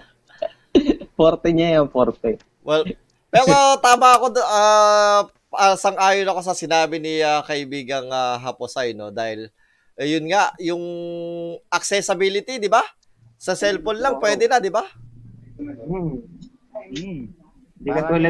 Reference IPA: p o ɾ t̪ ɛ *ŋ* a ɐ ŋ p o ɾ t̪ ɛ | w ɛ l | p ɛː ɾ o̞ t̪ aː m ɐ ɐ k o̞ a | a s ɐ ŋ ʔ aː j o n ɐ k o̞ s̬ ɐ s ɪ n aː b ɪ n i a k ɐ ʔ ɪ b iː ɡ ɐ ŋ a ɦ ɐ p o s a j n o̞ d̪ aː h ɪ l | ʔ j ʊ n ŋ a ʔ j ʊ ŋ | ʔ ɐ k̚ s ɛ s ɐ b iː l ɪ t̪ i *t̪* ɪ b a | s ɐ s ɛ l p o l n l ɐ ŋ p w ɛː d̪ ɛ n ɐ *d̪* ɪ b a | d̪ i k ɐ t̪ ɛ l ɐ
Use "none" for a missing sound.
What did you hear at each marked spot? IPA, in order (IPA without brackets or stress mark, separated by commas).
ɲ, d̪, d̪